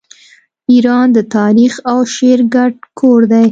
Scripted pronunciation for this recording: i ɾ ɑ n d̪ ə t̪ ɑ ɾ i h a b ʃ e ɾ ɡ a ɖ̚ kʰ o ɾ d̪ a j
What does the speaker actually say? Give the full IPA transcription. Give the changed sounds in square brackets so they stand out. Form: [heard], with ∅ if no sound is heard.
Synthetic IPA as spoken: i ɾ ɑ n d̪ ə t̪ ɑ ɾ i [x] a [w] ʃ e ɾ ɡ a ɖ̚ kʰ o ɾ d̪ a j